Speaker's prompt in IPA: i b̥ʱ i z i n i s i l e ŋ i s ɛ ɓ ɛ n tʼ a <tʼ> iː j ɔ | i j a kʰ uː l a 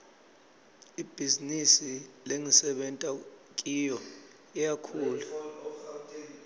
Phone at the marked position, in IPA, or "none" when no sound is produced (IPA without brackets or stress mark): kʼ